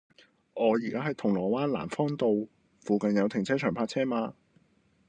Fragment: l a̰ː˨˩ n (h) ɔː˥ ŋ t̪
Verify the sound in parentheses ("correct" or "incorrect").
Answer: incorrect